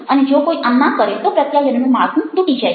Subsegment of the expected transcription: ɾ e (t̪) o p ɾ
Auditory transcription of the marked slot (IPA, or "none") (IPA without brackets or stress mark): t̪